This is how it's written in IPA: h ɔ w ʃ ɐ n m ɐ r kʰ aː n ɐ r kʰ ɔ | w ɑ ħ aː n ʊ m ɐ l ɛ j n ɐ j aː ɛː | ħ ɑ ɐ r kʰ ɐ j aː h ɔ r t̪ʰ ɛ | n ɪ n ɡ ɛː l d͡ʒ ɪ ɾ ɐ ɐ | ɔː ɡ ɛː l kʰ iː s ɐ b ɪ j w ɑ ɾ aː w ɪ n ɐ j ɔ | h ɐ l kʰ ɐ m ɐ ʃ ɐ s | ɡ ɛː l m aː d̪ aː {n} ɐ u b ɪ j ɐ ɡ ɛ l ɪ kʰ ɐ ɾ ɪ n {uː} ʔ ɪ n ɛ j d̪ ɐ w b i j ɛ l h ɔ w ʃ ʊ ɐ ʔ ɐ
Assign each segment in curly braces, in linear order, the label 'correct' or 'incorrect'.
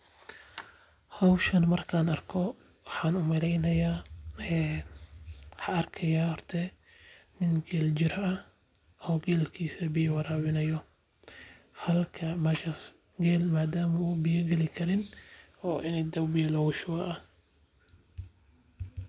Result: incorrect: m, incorrect: ɔː

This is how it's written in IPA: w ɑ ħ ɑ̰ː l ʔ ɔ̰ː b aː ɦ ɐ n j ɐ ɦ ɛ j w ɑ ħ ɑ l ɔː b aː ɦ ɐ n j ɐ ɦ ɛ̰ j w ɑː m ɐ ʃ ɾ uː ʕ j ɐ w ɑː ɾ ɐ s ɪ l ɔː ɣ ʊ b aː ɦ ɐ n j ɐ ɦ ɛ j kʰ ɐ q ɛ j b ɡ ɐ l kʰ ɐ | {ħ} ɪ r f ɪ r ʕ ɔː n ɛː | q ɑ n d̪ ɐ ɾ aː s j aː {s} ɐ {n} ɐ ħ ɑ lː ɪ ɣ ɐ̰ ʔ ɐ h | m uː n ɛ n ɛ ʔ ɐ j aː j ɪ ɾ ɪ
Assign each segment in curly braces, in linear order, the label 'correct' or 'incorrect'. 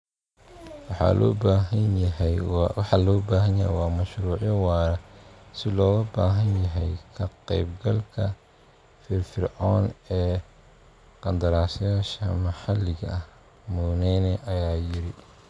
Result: incorrect: f, incorrect: ʃ, incorrect: m

